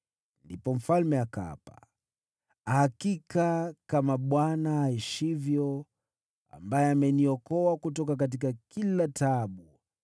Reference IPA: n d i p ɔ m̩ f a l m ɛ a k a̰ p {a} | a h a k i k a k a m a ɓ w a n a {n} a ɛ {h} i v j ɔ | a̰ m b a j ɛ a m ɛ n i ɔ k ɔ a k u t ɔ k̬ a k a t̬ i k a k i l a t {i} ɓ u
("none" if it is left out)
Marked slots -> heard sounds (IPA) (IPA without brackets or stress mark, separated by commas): a, none, ʃ, a